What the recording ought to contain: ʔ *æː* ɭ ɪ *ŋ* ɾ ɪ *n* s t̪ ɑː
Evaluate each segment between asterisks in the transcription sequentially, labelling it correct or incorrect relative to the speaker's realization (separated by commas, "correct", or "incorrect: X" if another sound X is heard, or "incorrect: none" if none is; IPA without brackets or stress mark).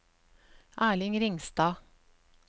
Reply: correct, correct, incorrect: ŋ